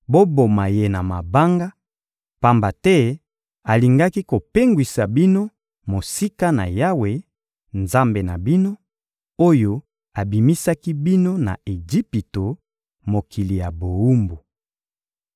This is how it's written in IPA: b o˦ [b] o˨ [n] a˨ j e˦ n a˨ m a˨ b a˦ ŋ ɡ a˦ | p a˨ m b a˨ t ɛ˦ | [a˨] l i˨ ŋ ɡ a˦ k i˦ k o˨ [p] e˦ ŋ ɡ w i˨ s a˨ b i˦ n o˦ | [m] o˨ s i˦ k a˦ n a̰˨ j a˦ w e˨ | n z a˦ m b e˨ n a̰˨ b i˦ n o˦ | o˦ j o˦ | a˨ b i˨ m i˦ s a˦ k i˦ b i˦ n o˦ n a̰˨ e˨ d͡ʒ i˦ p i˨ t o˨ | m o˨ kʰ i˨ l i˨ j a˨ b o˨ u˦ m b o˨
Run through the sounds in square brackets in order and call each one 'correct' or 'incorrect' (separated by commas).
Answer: correct, incorrect, correct, correct, correct